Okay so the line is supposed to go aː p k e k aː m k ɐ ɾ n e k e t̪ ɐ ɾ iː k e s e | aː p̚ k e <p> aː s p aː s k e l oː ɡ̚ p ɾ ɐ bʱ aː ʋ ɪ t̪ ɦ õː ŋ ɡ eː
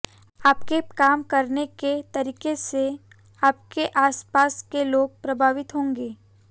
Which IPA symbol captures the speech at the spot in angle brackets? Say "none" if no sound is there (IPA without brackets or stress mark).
ʔ